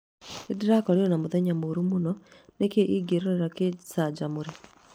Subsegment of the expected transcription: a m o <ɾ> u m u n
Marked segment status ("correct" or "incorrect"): correct